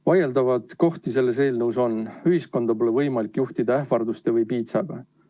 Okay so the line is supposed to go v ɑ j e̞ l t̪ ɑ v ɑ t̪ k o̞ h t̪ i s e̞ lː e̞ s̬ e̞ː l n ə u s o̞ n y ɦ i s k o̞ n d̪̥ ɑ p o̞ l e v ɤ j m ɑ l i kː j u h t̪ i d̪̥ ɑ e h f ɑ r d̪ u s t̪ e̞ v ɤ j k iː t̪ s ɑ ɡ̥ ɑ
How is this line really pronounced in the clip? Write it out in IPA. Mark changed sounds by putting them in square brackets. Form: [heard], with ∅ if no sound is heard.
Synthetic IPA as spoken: v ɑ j e̞ l [d̪] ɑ v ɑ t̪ k o̞ h t̪ i s e̞ lː e̞ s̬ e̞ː l n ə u s o̞ n y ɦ i s k o̞ n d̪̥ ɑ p o̞ l e v ɤ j m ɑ l i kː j u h t̪ i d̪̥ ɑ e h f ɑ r d̪ u s t̪ e̞ v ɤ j [p] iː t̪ s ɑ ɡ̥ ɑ